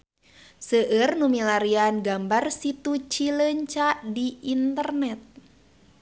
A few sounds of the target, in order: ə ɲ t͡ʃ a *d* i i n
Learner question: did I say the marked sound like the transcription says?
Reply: yes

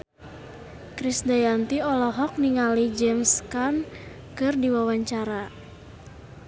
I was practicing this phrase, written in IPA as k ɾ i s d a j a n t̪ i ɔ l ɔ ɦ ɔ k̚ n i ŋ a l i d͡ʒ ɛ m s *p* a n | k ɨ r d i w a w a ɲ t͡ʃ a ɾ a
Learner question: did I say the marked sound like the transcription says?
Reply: no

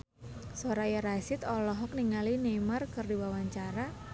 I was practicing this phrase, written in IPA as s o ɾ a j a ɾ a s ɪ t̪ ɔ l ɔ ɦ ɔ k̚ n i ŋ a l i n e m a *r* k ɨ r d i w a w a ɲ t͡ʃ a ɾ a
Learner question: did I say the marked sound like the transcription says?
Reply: yes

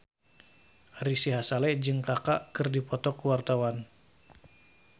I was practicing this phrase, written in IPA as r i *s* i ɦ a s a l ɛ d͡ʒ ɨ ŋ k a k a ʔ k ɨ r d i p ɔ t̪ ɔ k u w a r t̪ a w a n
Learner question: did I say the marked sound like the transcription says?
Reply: yes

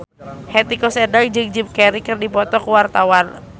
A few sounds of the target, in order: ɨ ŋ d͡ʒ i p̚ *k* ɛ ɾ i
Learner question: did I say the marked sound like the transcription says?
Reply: yes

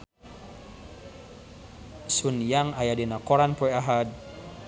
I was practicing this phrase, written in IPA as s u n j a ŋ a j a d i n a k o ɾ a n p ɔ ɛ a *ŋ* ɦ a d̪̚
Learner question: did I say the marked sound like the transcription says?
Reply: no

